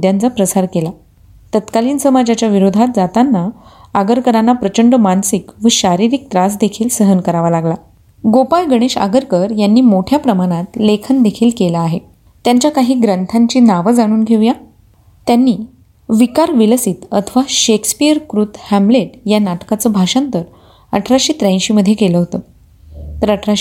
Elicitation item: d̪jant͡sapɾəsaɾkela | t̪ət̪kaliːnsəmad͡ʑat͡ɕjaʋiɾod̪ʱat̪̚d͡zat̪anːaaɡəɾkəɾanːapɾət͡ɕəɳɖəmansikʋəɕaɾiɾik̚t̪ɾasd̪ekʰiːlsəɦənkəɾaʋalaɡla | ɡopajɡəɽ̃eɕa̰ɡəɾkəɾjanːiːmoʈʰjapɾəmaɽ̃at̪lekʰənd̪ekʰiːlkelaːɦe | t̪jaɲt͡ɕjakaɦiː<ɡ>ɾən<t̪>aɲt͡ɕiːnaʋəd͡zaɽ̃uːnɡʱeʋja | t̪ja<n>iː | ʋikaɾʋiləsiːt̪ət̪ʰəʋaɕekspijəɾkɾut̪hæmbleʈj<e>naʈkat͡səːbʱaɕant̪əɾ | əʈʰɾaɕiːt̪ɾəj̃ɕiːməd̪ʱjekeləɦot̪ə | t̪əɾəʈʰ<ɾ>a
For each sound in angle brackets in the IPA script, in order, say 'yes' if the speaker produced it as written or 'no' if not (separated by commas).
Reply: yes, no, no, no, yes